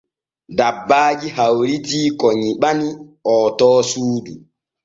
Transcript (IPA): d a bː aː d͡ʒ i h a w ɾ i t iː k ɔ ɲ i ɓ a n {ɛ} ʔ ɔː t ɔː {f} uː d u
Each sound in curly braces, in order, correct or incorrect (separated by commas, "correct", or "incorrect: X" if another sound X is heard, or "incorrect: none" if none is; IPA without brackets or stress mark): incorrect: i, incorrect: s